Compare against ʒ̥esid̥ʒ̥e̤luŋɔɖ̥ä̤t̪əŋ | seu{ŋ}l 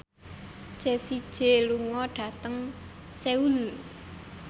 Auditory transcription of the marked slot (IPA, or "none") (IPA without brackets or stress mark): none